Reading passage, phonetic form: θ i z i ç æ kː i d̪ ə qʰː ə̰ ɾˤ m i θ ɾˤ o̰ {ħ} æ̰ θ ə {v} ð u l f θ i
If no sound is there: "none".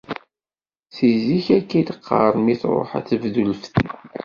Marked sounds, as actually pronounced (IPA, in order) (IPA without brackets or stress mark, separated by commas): ħ, v